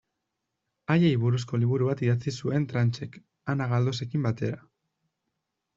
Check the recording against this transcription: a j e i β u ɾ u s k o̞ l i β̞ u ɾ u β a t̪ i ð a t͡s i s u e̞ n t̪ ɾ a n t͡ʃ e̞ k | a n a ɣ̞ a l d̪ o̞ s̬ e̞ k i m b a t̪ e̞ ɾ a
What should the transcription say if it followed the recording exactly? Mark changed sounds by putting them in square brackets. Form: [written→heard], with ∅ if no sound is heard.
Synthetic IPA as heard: a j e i β u ɾ u s k o̞ l i β̞ u ɾ u β a t̪ i ð a t͡s i s u e̞ n t̪ ɾ a n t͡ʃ e̞ k | a n a ɣ̞ a l d̪ o̞ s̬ e̞ k i m b a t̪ e̞ ɾ a